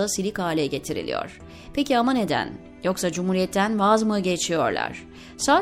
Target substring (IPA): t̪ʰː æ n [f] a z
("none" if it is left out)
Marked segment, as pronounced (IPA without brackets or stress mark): v